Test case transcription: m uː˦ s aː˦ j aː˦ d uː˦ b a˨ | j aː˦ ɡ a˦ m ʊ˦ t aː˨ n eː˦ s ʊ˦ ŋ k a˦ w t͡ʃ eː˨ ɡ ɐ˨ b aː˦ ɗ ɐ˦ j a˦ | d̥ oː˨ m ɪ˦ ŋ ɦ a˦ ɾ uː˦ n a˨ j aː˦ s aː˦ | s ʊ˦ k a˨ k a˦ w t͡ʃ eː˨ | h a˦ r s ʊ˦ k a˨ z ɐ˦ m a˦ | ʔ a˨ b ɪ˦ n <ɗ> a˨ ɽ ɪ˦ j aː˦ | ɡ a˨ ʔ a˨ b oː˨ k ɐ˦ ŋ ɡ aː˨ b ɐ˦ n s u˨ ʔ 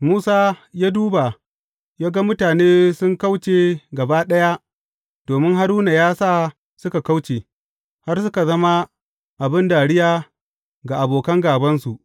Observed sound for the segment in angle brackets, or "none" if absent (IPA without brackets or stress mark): d